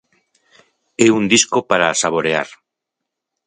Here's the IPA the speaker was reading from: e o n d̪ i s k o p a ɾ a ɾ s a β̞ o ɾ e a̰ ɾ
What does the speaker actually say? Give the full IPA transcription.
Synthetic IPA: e u n d̪ i s k o p a ɾ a s a β̞ o ɾ e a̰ ɾ